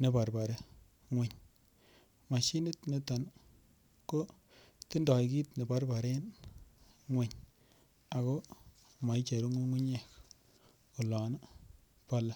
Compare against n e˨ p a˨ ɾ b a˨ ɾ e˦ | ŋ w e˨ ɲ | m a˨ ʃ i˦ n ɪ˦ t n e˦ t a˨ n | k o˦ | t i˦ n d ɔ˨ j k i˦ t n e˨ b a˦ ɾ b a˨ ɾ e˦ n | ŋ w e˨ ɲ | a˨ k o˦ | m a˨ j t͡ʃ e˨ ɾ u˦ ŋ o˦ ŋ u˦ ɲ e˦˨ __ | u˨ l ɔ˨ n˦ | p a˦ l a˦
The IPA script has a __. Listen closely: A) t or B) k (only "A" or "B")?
B